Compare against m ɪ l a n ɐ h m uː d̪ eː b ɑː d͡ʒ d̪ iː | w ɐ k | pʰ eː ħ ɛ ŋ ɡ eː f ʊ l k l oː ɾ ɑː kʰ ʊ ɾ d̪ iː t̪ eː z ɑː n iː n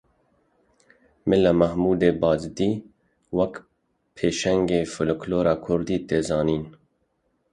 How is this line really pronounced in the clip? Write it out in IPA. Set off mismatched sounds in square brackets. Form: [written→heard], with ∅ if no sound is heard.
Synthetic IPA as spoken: m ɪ l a [n→m] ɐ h m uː d̪ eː b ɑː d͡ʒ d̪ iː | w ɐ k | pʰ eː [ħ→ʃ] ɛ ŋ ɡ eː f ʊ l k l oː ɾ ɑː kʰ ʊ ɾ d̪ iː t̪ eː z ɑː n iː n